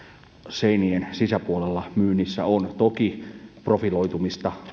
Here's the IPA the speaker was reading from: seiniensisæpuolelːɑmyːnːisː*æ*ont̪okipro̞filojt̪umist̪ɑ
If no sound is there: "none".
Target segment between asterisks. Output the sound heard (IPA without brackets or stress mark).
æ